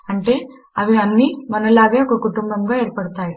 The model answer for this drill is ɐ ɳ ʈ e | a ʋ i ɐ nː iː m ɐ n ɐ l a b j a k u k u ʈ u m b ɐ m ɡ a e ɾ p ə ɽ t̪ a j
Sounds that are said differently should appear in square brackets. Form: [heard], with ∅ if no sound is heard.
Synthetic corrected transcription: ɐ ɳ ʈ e | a ʋ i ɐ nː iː m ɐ n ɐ l a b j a k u k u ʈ u m b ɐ m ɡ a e ɾ p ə ɽ t̪ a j